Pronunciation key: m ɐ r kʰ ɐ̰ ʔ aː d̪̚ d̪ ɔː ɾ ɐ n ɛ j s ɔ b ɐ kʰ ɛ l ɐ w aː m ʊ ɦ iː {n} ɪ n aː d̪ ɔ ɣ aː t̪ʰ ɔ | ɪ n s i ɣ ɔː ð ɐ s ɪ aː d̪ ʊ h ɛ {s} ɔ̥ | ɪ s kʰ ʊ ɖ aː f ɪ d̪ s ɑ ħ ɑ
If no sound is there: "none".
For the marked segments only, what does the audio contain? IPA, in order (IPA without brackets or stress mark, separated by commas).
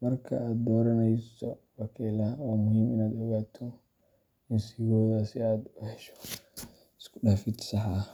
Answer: m, ʃ